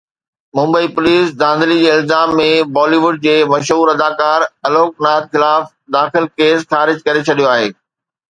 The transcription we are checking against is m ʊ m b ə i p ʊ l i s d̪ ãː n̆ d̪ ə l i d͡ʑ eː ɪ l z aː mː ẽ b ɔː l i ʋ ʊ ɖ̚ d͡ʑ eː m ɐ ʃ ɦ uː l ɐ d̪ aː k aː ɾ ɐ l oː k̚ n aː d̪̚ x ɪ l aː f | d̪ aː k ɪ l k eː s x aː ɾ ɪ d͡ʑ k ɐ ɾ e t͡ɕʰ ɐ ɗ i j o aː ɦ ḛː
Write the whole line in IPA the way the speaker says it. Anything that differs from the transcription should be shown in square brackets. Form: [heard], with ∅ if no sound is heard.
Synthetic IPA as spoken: m [ʊ̃] m b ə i p ʊ l [iː] s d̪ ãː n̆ d̪ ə l i d͡ʑ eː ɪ l z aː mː ẽ b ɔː l i ʋ ʊ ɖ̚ d͡ʑ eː m ɐ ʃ ɦ uː [ɾ] ɐ d̪ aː k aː ɾ ɐ l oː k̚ n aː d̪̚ x ɪ l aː f | d̪ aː [x] ɪ l k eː s x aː ɾ ɪ d͡ʑ k ɐ ɾ e t͡ɕʰ ɐ ɗ i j o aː ɦ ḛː